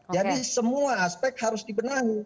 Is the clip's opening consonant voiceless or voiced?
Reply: voiced